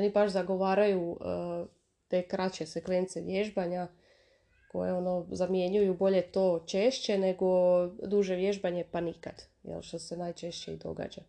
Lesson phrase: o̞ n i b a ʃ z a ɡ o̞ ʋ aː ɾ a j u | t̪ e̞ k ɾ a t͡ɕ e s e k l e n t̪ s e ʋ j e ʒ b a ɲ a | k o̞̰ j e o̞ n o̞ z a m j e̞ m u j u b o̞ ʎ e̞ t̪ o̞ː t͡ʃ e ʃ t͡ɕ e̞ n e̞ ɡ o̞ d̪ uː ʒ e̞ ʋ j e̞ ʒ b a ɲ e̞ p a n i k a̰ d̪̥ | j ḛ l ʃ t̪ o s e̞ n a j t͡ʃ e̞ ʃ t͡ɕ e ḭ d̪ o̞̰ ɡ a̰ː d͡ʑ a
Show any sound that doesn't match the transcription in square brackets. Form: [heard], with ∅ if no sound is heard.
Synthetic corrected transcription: o̞ n i b a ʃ z a ɡ o̞ ʋ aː ɾ a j u | t̪ e̞ k ɾ a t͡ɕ e s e k l e n t̪ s e ʋ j e ʒ b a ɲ a | k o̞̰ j e o̞ n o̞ z a m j e̞ [ɲ] u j u b o̞ ʎ e̞ t̪ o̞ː t͡ʃ e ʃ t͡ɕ e̞ n e̞ ɡ o̞ d̪ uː ʒ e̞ ʋ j e̞ ʒ b a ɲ e̞ p a n i k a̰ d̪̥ | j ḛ l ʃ t̪ o s e̞ n a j t͡ʃ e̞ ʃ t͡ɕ e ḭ d̪ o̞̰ ɡ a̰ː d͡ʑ a